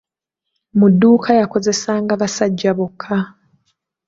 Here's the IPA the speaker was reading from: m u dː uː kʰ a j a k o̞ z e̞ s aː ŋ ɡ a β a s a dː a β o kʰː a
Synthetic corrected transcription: m u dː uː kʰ a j a k o̞ z e̞ s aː ŋ ɡ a β a s a ɟː a β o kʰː a